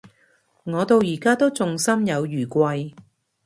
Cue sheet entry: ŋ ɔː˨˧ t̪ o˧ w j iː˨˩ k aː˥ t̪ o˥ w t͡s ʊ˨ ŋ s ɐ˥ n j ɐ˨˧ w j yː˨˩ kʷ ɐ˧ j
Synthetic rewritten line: ŋ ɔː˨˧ t̪ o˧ w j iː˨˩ k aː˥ t̪ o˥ w t͡s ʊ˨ ŋ s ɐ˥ m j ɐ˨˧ w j yː˨˩ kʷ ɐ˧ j